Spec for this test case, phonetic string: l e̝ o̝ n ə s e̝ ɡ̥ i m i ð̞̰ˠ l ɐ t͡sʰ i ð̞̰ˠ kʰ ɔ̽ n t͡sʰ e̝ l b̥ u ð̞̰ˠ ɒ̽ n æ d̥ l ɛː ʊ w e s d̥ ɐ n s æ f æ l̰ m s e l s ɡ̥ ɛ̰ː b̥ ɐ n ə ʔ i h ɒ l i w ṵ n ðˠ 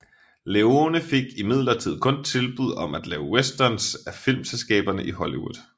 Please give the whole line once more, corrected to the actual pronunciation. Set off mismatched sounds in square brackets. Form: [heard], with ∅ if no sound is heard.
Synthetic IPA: l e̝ o̝ n ə [f] e̝ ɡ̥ i m i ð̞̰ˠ l ɐ t͡sʰ i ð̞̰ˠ kʰ ɔ̽ n t͡sʰ e̝ l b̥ u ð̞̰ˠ ɒ̽ [m] æ d̥ l ɛː ʊ w e s d̥ ɐ n s æ f [i] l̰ m s e l s ɡ̥ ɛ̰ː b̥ ɐ n ə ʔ i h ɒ l i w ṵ [∅] ðˠ